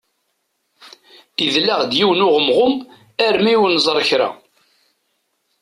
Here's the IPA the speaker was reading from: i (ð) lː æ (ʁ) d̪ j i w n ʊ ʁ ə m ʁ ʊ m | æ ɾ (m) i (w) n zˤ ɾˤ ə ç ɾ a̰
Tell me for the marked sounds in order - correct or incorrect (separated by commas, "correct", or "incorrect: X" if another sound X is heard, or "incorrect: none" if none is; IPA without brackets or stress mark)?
correct, correct, correct, correct